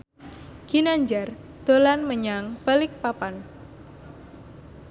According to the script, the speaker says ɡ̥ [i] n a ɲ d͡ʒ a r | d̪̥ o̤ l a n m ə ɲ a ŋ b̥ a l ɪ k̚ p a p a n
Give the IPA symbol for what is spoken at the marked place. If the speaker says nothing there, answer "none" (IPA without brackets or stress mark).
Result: i